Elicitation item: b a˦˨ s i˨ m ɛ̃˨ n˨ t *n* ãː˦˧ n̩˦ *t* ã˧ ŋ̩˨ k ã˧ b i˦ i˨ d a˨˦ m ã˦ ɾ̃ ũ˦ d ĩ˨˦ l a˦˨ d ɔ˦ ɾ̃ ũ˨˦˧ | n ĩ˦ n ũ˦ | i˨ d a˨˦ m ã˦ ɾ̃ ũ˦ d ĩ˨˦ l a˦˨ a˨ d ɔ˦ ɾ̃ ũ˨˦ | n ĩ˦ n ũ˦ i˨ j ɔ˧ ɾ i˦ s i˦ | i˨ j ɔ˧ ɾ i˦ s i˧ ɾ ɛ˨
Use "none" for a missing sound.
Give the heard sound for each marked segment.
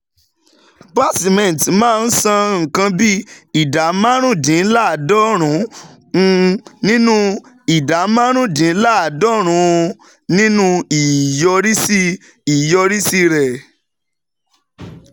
m, s

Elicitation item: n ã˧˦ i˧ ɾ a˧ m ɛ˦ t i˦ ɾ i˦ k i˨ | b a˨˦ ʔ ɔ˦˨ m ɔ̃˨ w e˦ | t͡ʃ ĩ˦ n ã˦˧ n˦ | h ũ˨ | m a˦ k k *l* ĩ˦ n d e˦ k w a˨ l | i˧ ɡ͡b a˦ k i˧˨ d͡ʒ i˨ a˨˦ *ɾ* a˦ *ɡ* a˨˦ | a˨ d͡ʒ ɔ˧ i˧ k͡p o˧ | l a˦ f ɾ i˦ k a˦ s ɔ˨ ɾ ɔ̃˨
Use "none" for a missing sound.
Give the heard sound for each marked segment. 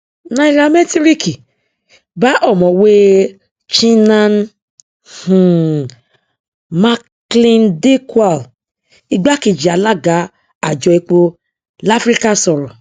l, l, ɡ

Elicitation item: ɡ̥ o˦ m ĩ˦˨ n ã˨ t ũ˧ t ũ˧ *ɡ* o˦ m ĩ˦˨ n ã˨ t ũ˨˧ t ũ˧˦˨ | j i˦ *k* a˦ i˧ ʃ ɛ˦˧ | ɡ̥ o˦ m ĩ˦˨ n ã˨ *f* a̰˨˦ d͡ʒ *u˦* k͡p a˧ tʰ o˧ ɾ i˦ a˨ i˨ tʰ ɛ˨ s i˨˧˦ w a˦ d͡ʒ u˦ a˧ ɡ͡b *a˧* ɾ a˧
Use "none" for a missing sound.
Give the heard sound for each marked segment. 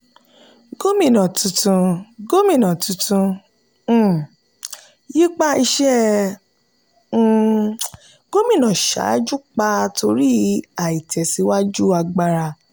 ɡ, k͡p, ʃ, u˦, a˧

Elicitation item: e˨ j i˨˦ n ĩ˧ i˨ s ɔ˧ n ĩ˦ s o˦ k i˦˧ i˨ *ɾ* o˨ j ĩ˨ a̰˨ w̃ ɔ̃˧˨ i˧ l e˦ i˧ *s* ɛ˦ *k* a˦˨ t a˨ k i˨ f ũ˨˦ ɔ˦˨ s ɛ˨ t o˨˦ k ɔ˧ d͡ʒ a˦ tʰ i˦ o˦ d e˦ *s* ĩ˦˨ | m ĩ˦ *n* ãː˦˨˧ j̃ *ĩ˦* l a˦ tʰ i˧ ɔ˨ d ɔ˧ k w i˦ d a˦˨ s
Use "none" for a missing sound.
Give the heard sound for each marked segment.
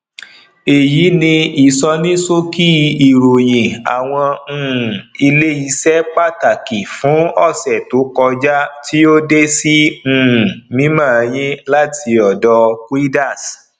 ɾ, s, k͡p, s, m, ĩ˦

